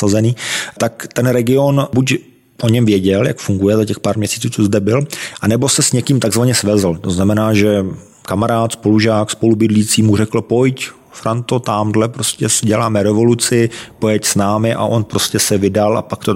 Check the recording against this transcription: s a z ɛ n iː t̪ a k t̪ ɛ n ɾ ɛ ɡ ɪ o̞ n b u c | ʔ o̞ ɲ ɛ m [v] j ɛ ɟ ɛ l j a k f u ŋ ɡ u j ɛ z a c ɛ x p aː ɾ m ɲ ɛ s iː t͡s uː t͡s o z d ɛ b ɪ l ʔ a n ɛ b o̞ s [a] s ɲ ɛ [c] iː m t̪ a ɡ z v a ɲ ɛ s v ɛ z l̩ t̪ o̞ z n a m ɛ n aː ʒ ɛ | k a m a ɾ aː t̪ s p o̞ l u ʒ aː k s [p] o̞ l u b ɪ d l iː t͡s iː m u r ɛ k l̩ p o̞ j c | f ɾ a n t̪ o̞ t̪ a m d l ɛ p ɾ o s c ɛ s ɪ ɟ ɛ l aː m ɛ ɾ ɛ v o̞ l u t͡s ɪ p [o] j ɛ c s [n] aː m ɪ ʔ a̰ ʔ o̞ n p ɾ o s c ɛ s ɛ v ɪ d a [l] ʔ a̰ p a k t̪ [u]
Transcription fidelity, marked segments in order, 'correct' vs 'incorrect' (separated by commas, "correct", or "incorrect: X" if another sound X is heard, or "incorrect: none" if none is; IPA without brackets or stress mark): correct, incorrect: ɛ, incorrect: k, correct, correct, correct, correct, incorrect: o